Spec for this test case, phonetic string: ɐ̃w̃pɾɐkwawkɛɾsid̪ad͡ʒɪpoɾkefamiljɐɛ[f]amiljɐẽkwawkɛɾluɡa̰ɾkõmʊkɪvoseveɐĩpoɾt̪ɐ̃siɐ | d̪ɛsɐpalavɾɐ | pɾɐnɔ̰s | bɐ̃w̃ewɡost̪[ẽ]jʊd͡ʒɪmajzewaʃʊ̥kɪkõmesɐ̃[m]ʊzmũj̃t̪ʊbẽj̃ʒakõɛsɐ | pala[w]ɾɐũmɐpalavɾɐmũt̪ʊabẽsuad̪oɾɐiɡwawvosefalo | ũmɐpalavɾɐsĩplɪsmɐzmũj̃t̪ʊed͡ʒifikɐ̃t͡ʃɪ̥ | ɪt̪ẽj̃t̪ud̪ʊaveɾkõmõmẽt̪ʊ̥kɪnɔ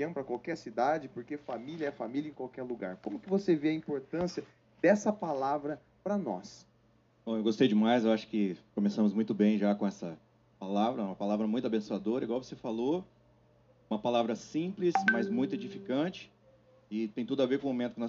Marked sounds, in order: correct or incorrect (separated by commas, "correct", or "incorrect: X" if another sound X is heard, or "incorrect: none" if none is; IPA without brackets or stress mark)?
correct, incorrect: e, correct, incorrect: v